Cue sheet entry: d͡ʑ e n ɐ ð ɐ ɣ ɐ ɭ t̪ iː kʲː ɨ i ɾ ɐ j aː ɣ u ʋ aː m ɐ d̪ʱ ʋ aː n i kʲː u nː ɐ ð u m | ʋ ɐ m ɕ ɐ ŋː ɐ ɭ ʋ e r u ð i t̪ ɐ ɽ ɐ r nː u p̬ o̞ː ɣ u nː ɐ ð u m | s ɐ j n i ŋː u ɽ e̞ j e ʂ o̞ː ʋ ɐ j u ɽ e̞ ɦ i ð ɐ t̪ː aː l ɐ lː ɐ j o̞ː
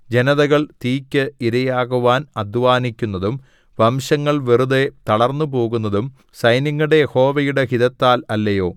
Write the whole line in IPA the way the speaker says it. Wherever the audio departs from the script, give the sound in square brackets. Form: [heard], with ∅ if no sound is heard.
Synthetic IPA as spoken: d͡ʑ e n ɐ ð ɐ ɣ ɐ ɭ t̪ iː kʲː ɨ i ɾ ɐ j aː ɣ u ʋ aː [n] ɐ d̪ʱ ʋ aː n i kʲː u nː ɐ ð u m | ʋ ɐ m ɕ ɐ ŋː ɐ ɭ ʋ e r u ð [e] t̪ ɐ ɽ ɐ r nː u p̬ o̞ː ɣ u nː ɐ ð u m | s ɐ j n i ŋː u ɽ e̞ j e [h] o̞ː ʋ ɐ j u ɽ e̞ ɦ i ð ɐ t̪ː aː l ɐ lː ɐ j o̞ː